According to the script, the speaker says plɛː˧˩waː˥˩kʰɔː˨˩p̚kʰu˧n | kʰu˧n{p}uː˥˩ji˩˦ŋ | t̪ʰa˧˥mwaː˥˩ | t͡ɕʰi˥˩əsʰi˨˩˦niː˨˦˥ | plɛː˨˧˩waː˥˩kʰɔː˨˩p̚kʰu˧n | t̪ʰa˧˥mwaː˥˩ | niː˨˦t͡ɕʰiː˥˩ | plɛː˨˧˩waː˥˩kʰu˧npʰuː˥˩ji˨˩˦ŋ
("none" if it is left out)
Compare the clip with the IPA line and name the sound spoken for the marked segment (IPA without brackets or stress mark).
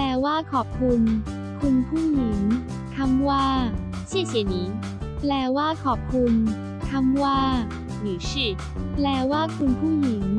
pʰ